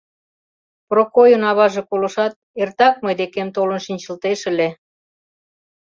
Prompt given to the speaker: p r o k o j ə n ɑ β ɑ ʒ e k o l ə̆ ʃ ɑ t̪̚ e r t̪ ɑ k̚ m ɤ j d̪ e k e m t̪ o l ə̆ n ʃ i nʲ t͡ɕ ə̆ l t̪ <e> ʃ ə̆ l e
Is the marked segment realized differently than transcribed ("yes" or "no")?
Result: no